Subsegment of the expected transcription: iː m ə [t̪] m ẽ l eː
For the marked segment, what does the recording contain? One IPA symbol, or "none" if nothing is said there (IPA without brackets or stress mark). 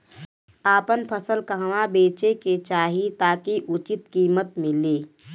t̪